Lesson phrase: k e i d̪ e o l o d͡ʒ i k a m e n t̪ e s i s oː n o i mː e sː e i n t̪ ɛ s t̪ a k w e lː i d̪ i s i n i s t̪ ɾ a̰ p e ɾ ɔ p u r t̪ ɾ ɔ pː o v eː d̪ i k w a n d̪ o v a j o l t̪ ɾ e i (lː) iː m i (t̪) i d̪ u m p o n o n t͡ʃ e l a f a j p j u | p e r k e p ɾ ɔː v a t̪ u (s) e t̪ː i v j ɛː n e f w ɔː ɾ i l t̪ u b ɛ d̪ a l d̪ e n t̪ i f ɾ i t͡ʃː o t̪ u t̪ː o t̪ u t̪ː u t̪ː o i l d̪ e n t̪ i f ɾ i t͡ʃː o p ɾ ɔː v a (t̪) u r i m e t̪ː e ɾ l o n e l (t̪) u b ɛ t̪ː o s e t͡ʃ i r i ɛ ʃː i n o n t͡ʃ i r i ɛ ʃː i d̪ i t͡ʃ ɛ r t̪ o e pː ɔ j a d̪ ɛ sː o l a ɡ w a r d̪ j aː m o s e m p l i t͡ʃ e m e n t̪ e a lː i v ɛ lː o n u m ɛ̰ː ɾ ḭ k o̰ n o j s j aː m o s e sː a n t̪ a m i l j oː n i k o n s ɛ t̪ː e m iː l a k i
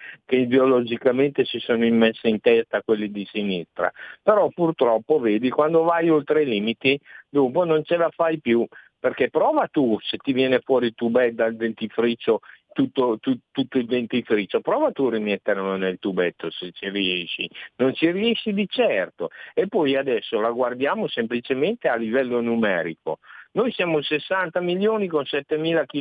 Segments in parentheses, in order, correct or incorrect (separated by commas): incorrect, correct, correct, correct, correct